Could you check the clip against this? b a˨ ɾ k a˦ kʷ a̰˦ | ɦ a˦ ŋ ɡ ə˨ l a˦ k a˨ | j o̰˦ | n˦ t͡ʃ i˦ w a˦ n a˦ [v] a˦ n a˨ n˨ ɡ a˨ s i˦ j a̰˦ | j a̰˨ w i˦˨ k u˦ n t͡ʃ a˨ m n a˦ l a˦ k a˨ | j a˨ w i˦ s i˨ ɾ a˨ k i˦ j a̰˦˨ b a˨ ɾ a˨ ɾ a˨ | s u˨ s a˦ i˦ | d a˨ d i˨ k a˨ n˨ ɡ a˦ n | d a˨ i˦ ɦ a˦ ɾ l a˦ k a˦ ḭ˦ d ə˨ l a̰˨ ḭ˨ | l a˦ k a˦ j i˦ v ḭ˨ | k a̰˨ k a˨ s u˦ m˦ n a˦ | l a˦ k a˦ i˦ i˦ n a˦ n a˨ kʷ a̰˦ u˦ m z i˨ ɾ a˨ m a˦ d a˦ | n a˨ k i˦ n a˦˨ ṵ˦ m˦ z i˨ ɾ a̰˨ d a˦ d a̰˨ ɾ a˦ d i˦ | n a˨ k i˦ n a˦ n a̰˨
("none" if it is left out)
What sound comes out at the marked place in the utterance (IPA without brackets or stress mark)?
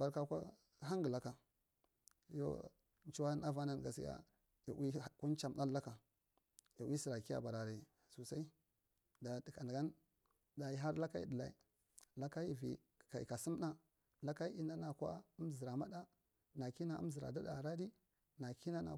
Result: v